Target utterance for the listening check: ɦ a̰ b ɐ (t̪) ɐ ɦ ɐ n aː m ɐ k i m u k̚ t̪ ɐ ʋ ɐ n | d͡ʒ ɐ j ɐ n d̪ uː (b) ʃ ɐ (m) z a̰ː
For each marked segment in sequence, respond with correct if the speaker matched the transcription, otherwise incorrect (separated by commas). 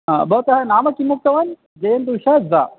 correct, incorrect, incorrect